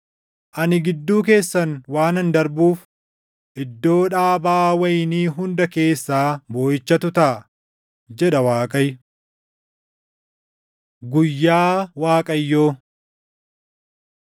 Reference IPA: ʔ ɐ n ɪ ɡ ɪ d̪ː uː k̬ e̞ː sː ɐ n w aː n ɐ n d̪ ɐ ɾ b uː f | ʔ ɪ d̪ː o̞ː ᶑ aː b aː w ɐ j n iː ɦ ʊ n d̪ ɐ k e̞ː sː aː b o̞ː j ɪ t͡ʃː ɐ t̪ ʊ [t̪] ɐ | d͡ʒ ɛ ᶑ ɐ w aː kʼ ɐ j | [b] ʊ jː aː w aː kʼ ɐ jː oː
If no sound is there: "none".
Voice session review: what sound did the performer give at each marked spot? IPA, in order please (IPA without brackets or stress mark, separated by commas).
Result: t̪, ɡ